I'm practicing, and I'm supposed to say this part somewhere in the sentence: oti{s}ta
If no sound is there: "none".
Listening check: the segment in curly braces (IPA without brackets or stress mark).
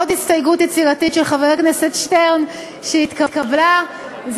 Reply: s